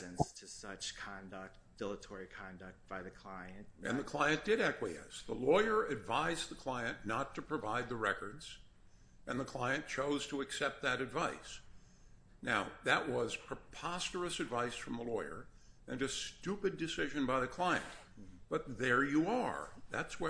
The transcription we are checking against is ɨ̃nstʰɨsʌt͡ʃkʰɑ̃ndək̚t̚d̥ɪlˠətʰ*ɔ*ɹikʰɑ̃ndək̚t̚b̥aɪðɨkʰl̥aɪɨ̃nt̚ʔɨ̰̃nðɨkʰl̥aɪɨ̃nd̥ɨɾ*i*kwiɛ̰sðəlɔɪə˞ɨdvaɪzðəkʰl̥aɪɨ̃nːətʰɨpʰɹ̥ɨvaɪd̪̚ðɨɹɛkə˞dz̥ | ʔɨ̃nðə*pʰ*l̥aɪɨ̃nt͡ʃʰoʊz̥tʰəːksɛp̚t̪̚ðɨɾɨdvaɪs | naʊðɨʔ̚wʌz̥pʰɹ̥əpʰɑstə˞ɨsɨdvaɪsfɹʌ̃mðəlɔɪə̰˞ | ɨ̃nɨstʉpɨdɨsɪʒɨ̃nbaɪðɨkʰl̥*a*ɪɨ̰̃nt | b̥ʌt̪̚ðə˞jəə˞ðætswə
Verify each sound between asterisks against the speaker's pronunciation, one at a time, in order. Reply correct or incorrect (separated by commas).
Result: correct, incorrect, incorrect, correct